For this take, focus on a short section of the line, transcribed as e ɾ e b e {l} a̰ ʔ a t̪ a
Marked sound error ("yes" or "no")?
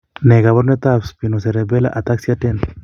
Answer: no